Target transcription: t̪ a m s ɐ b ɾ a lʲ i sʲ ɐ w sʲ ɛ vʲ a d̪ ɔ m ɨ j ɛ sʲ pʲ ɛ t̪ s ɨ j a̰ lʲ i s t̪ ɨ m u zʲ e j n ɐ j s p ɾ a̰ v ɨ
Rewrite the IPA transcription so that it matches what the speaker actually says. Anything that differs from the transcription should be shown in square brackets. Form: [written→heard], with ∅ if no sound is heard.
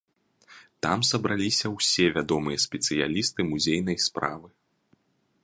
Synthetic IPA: t̪ a m s ɐ b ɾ a lʲ i sʲ ɐ w sʲ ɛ vʲ a d̪ ɔ m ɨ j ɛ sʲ pʲ ɛ t̪ s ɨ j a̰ lʲ i s t̪ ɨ m u zʲ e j n ɐ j s p ɾ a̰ v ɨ